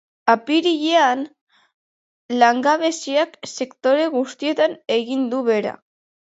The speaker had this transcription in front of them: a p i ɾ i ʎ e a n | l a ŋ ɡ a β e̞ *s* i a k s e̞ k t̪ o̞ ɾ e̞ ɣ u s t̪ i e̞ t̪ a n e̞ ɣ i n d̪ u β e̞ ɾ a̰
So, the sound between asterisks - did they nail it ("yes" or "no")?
yes